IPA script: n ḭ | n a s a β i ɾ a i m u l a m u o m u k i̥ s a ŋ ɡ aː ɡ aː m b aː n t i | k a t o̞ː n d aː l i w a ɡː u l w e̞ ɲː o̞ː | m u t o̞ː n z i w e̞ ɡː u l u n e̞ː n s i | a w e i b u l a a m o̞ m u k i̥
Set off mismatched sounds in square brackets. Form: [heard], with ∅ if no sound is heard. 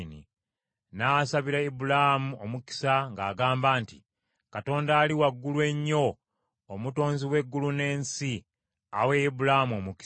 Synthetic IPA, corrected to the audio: n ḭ | n a s a β i ɾ a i [b] u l a m u o m u k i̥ s a ŋ ɡ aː ɡ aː m b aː n t i | k a t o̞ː n d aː l i w a ɡː u l w e̞ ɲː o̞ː | m u t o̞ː n z i w e̞ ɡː u l u n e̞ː n s i | a w e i b u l a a m o̞ m u k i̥